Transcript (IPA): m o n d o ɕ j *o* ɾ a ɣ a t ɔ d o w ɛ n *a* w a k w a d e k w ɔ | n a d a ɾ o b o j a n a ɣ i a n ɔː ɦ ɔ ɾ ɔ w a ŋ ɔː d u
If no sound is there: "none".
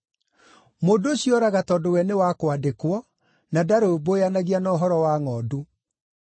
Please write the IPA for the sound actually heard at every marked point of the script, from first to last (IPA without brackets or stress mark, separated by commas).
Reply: ɔ, e